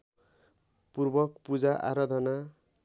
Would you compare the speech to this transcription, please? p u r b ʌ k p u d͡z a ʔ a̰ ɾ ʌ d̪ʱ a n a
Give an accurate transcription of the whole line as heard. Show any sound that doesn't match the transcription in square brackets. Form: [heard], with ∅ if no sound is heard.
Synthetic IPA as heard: p u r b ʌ k p u d͡z a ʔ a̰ ɾ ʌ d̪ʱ [ʌ] n a

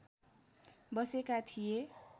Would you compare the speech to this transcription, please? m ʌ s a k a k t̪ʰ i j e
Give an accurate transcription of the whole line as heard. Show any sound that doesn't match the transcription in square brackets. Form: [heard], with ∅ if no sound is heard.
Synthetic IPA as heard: [b] ʌ s [e] k a [∅] t̪ʰ i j e

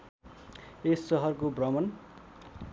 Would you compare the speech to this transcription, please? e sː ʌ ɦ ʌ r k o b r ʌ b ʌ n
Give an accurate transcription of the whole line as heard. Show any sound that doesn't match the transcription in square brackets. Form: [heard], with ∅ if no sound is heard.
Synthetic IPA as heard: e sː ʌ ɦ ʌ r k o b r ʌ [m] ʌ n

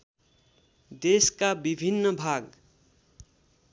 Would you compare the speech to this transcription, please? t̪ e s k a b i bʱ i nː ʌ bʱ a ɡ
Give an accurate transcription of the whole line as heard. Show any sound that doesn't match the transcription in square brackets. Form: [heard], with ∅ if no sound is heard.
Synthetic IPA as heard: [d̪] e s k a b i bʱ i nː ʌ bʱ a ɡ

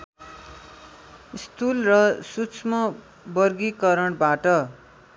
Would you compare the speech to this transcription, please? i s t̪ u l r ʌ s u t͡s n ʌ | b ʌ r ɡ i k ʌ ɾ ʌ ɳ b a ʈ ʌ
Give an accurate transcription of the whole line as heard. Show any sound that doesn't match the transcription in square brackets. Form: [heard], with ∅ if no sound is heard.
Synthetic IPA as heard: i s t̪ u l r ʌ s u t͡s [m] ʌ | b ʌ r ɡ i k ʌ ɾ ʌ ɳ b a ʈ ʌ

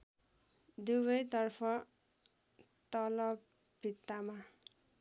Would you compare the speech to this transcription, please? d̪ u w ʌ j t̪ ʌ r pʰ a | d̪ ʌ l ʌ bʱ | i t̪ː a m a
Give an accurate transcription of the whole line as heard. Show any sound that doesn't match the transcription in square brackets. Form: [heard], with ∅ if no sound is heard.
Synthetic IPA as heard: d̪ u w ʌ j t̪ ʌ r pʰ [ʌ] | [t̪] ʌ l ʌ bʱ | i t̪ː a m a

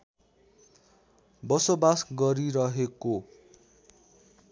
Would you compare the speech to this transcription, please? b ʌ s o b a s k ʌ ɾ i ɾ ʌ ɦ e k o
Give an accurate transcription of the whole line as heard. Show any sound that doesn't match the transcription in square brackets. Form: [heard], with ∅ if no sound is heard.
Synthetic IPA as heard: b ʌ s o b a s [ɡ] ʌ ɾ i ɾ ʌ ɦ e k o

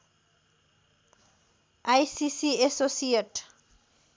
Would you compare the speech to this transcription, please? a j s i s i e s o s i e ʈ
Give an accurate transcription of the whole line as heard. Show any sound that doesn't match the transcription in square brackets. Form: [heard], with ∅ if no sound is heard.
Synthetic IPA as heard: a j s i s i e s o s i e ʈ

